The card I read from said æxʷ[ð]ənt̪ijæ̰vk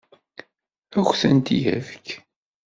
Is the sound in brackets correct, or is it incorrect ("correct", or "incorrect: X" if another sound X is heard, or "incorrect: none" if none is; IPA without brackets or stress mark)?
incorrect: θ